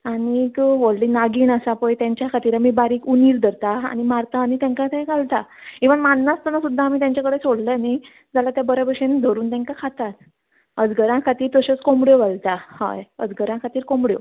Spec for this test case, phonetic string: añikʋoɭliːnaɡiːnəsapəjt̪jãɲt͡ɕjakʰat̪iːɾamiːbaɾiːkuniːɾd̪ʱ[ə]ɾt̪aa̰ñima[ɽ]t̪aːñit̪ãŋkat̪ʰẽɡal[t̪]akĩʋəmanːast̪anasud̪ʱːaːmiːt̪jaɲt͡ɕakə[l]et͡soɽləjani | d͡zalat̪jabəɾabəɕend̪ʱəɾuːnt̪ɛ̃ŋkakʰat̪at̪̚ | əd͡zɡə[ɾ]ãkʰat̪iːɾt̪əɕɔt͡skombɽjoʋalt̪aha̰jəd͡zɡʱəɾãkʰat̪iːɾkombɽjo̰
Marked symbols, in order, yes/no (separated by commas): yes, no, yes, no, yes